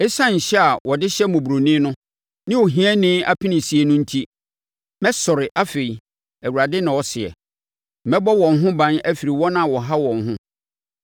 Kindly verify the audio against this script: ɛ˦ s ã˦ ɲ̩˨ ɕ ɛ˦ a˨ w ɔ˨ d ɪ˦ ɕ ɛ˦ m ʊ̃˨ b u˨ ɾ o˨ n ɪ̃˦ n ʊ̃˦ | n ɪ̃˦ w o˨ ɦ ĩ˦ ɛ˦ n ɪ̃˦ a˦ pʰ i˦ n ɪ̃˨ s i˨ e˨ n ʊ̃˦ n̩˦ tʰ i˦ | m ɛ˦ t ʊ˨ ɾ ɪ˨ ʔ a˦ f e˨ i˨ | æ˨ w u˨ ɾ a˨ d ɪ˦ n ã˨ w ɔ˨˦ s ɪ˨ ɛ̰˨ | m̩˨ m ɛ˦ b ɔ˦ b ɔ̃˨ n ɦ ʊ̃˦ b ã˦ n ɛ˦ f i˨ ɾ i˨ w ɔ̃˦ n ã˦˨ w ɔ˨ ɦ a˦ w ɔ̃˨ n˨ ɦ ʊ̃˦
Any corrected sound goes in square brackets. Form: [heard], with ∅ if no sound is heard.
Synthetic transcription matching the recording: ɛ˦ s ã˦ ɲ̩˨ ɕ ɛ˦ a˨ w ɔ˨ d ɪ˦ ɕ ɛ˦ m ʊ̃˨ b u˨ ɾ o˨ n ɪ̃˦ n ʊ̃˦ | n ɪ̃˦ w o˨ ɦ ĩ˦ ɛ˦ n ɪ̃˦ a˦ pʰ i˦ n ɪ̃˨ s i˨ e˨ n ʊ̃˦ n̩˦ tʰ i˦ | m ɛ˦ [s] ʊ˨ ɾ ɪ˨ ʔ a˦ f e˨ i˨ | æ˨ w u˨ ɾ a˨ d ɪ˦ n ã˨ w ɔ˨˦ s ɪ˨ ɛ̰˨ | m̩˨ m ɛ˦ b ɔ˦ [w] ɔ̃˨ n ɦ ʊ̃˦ b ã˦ n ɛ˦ f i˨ ɾ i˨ w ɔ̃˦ n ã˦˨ w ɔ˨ ɦ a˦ w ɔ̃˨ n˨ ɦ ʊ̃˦